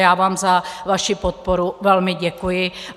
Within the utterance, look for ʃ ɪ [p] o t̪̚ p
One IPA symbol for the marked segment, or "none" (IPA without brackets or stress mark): p